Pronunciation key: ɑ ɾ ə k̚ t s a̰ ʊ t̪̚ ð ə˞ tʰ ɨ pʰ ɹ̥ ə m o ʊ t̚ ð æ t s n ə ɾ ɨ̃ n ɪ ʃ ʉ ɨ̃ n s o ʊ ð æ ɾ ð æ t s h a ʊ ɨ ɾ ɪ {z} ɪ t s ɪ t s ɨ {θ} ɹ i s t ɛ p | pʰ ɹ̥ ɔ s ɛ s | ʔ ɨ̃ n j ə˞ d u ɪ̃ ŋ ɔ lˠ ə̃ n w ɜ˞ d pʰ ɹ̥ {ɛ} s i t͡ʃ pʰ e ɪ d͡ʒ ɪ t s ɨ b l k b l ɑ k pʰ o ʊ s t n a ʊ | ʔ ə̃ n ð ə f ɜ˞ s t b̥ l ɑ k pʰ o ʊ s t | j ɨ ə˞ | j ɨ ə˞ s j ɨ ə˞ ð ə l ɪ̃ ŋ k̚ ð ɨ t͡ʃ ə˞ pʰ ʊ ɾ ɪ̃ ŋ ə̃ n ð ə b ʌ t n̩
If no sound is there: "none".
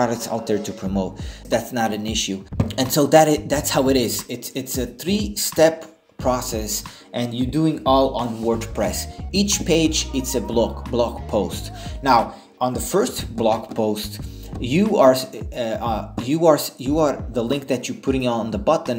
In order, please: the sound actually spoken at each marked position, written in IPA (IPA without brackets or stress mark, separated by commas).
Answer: z, θ, ɛ